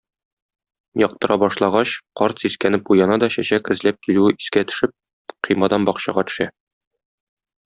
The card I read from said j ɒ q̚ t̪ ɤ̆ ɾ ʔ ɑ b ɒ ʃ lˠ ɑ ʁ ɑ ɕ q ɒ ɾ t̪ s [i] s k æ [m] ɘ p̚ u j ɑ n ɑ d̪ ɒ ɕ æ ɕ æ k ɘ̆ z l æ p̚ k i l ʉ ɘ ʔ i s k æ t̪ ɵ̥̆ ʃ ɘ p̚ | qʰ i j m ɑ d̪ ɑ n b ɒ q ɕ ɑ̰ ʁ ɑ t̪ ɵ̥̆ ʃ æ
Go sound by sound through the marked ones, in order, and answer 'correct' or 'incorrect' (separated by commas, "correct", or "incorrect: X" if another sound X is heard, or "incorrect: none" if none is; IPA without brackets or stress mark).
correct, incorrect: n